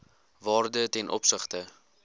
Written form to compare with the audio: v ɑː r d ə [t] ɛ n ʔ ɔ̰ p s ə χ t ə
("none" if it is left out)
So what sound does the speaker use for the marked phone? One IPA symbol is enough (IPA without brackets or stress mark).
t